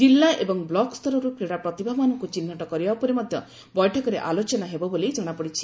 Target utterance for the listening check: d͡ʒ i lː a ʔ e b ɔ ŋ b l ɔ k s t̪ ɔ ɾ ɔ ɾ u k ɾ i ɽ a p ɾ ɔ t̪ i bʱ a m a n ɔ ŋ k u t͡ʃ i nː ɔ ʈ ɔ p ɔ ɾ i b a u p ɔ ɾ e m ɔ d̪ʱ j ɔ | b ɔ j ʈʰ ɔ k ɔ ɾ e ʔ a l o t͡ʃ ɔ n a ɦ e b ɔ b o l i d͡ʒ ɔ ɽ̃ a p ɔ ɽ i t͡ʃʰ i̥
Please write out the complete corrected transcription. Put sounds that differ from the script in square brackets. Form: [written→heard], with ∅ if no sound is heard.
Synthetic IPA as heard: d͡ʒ i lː a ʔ e b ɔ ŋ b l ɔ k s t̪ ɔ ɾ ɔ ɾ u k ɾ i ɽ a p ɾ ɔ t̪ i bʱ a m a n ɔ ŋ k u t͡ʃ i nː ɔ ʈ ɔ [p→k] ɔ ɾ i b a u p ɔ ɾ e m ɔ d̪ʱ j ɔ | b ɔ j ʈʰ ɔ k ɔ ɾ e ʔ a l o t͡ʃ ɔ n a ɦ e b ɔ b o l i d͡ʒ ɔ ɽ̃ a p ɔ ɽ i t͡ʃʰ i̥